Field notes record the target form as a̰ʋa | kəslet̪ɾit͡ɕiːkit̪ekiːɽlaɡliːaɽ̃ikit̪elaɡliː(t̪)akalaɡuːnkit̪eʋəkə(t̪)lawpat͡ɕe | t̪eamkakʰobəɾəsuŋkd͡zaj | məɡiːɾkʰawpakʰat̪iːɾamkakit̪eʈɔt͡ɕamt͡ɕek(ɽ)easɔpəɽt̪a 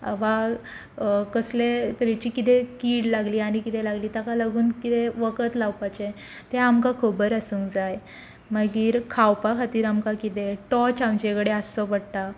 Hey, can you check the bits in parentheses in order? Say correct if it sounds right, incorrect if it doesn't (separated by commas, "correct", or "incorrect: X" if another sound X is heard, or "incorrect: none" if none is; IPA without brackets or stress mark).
correct, correct, correct